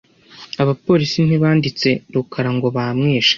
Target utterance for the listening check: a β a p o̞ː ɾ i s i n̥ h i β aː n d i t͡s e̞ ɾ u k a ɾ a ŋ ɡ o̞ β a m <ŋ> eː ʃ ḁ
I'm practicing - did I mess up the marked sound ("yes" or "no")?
no